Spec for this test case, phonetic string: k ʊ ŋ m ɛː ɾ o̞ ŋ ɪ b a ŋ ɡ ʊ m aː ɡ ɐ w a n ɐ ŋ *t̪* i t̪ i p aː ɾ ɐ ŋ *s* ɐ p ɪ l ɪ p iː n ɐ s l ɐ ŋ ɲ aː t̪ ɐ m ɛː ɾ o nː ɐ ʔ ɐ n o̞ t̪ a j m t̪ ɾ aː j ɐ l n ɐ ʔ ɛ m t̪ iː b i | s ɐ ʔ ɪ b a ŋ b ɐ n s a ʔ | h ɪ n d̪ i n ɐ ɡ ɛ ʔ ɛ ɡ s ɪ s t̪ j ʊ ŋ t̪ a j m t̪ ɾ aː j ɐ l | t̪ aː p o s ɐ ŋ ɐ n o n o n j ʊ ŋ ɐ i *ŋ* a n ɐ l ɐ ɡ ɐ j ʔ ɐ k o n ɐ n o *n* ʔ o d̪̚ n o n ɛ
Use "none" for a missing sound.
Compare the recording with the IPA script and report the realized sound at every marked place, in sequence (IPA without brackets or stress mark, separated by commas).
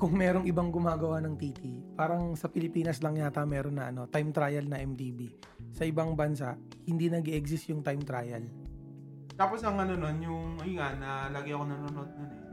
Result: t̪, s, ŋ, n